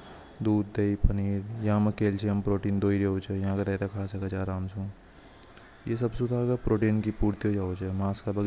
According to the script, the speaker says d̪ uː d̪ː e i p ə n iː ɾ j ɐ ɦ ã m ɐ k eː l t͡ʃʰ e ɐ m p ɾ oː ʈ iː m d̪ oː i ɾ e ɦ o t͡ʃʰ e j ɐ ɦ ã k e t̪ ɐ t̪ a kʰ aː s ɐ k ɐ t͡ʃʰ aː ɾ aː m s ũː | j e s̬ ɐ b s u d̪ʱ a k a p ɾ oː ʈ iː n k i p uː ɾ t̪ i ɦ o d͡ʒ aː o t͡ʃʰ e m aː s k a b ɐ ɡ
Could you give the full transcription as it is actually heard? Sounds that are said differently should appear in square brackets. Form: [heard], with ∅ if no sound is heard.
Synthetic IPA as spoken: d̪ uː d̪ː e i p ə n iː ɾ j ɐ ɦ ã m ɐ k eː l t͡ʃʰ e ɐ m p ɾ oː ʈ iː [n] d̪ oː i ɾ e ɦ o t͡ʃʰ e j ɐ ɦ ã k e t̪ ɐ t̪ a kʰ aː s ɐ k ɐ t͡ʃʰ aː ɾ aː m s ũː | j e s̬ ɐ b s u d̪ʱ a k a p ɾ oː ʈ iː n k i p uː ɾ t̪ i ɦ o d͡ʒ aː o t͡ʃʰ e m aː s k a b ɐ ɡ

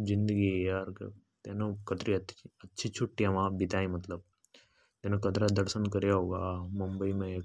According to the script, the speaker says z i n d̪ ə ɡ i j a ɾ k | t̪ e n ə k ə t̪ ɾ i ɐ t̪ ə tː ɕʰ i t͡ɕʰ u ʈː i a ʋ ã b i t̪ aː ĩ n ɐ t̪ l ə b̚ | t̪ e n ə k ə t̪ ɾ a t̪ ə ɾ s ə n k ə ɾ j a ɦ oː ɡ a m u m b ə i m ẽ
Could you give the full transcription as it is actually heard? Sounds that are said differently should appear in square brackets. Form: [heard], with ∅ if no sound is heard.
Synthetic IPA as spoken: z i n d̪ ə ɡ i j a ɾ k | t̪ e n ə k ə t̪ ɾ i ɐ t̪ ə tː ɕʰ i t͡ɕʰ u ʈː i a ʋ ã b i t̪ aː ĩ [m] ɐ t̪ l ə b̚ | t̪ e n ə k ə t̪ ɾ a [d̪] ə ɾ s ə n k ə ɾ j a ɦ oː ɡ a m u m b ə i m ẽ

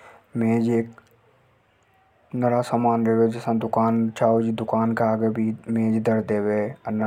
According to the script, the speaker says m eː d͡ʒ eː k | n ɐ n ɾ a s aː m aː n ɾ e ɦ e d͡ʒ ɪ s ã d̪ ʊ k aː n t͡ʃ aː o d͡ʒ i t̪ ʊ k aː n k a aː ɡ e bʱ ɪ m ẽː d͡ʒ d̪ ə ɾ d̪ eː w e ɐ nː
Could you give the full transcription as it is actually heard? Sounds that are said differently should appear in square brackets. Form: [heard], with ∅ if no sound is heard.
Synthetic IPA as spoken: m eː d͡ʒ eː k | n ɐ [∅] ɾ a s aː m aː n ɾ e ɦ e d͡ʒ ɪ s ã d̪ ʊ k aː n t͡ʃ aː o d͡ʒ i [d̪] ʊ k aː n k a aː ɡ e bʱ [i] m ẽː d͡ʒ d̪ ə ɾ d̪ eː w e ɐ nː

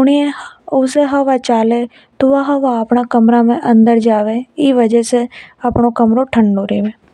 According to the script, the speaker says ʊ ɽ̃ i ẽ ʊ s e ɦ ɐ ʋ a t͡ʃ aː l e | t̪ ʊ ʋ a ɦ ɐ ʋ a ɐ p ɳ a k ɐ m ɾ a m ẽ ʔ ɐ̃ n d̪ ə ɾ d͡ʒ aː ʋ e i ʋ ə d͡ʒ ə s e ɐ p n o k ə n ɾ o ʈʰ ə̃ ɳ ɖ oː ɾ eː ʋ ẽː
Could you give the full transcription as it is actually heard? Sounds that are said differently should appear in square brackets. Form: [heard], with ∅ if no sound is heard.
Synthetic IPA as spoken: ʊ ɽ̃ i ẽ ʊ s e ɦ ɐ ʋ a t͡ʃ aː l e | t̪ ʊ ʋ a ɦ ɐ ʋ a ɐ p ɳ a k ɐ m ɾ a m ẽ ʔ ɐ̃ n d̪ ə ɾ d͡ʒ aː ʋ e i ʋ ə d͡ʒ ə s e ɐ p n o k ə [m] ɾ o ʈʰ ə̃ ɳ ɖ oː ɾ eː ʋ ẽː

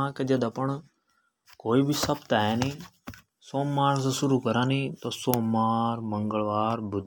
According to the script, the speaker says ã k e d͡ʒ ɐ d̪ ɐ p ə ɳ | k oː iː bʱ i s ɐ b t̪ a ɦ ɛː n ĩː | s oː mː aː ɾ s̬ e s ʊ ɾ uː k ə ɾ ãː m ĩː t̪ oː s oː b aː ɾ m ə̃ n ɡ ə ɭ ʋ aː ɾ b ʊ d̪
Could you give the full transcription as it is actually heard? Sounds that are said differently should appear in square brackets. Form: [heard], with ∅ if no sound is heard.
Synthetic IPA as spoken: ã k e d͡ʒ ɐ d̪ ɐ p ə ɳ | k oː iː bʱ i s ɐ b t̪ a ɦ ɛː n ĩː | s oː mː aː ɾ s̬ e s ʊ ɾ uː k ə ɾ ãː [n] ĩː t̪ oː s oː [m] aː ɾ m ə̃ [ŋ] ɡ ə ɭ ʋ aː ɾ b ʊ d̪

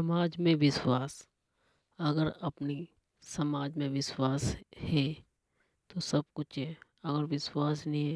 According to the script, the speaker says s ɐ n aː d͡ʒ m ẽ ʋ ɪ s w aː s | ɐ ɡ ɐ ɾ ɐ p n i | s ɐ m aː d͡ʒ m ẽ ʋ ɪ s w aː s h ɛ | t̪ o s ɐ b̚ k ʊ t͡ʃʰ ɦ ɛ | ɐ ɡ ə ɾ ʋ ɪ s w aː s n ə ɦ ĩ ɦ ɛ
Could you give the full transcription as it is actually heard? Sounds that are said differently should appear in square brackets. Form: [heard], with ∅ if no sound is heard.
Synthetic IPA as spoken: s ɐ [m] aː d͡ʒ m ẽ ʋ ɪ s w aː s | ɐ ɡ [ə] ɾ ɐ p n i | s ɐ m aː d͡ʒ m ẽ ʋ ɪ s w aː s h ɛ | t̪ o s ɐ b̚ k ʊ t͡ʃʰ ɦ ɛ | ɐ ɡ ə ɾ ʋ ɪ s w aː s n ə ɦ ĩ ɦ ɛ

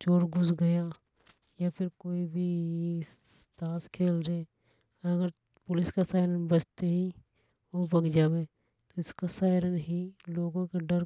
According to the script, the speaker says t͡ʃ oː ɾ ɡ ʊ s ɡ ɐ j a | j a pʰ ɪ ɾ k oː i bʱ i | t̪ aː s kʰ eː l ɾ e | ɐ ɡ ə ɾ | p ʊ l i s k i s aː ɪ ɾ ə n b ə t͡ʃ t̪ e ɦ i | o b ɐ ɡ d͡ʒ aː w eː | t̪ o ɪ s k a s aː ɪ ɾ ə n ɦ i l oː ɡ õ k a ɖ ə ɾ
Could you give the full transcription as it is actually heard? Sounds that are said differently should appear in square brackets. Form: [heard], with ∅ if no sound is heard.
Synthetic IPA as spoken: t͡ʃ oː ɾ ɡ ʊ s ɡ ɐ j a | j a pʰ ɪ ɾ k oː i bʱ i | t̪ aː s kʰ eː l ɾ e | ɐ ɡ ə ɾ | p ʊ l [ɪ] s k [a] s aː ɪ ɾ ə n b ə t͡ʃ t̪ e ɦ i | o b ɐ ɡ d͡ʒ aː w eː | t̪ o ɪ s k a s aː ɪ ɾ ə n ɦ i l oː ɡ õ k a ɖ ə ɾ

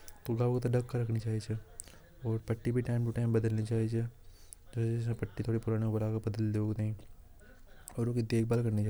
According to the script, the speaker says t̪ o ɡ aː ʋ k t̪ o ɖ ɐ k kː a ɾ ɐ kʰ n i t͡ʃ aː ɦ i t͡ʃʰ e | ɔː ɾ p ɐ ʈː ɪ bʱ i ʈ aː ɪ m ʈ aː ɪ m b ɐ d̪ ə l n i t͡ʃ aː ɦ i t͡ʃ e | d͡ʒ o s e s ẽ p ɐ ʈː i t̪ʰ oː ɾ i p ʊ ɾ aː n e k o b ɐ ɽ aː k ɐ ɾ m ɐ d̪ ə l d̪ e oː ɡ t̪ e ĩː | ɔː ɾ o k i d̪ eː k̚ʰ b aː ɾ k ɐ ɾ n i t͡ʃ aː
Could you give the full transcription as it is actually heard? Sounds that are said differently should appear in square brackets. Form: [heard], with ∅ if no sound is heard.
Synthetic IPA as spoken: t̪ o ɡ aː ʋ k t̪ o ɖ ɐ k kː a ɾ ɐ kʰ n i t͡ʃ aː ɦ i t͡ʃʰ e | ɔː ɾ p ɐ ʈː [i] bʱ i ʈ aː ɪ m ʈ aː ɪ m b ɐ d̪ ə l n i t͡ʃ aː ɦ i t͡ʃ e | d͡ʒ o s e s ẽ p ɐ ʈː i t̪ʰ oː [ɽ] i p ʊ ɾ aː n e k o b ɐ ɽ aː k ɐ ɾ [b] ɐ d̪ ə l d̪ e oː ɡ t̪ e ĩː | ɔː ɾ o k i d̪ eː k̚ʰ b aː [l] k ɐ ɾ n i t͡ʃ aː

